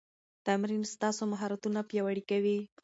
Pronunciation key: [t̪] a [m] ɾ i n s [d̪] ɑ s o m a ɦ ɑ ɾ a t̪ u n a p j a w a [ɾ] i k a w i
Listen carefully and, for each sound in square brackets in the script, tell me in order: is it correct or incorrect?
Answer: correct, correct, incorrect: t̪, incorrect: ɽ

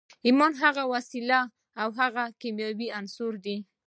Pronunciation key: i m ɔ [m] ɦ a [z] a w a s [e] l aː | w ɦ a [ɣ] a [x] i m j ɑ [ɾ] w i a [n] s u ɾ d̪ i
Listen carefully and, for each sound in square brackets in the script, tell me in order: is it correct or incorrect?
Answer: incorrect: n, incorrect: ɣ, incorrect: i, correct, incorrect: k, incorrect: none, correct

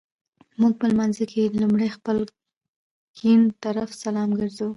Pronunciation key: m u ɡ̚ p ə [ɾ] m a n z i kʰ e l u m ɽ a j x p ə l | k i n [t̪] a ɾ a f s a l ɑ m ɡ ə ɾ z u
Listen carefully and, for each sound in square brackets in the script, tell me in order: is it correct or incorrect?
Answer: incorrect: l, correct

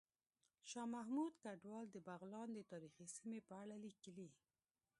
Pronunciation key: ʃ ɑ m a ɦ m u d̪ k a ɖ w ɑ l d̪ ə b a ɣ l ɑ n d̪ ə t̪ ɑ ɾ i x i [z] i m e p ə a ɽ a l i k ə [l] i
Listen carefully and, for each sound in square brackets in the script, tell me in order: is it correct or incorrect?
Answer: incorrect: s, correct

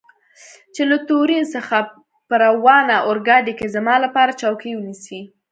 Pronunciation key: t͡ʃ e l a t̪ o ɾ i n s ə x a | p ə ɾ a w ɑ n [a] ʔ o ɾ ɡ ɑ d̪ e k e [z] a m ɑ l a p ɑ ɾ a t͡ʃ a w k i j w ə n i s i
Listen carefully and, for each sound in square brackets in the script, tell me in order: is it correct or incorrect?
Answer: correct, correct

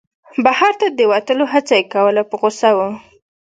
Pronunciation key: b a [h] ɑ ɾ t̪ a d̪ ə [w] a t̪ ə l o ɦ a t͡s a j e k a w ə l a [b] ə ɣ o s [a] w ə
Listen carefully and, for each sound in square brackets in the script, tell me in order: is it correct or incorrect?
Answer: correct, correct, incorrect: p, correct

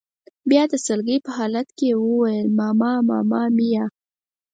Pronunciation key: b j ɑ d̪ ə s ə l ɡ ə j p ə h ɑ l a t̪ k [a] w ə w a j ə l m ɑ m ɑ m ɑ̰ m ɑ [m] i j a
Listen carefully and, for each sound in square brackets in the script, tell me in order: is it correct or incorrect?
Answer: incorrect: e, correct

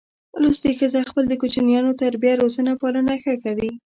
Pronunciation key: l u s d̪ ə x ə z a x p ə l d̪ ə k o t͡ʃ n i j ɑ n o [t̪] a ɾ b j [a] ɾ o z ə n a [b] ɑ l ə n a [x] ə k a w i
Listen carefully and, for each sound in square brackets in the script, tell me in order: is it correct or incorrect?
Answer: correct, correct, incorrect: p, correct

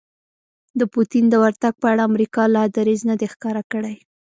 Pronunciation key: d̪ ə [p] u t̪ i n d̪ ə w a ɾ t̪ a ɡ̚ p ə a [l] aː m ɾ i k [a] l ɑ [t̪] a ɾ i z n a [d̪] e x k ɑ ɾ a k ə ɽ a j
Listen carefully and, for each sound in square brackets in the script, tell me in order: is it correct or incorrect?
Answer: correct, incorrect: ɽ, incorrect: ɑ, incorrect: d̪, correct

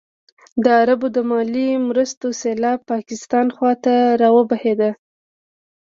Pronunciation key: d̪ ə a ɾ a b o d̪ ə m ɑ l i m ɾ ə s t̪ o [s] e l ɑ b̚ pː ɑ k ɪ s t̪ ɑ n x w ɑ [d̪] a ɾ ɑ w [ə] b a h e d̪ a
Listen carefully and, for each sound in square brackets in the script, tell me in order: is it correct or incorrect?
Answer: correct, incorrect: t̪, correct

